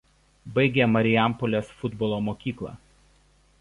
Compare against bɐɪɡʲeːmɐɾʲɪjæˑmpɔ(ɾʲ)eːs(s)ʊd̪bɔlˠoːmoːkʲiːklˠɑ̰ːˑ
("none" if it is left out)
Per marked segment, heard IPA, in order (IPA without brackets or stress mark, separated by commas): lʲ, f